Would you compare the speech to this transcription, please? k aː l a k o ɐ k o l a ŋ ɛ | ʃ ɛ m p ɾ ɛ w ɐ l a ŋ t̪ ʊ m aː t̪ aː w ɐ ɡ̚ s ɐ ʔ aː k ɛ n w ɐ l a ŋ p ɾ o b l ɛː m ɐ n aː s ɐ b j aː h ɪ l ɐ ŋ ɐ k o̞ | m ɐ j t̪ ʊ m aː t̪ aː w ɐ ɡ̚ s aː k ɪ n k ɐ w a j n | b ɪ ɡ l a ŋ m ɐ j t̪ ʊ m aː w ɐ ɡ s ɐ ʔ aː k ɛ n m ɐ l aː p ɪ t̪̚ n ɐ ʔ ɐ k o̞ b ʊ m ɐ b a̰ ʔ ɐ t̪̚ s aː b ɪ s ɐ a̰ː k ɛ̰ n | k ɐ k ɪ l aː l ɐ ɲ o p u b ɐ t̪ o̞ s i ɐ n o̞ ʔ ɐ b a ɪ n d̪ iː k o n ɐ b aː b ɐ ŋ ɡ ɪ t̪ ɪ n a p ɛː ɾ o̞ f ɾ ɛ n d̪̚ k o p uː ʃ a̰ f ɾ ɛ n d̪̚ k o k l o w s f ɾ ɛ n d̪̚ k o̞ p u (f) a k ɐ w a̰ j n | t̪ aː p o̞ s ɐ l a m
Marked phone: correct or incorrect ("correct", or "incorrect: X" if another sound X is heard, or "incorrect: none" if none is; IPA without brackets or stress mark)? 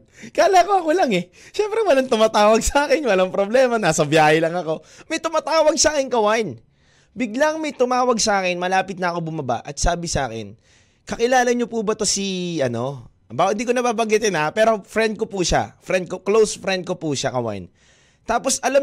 incorrect: ʃ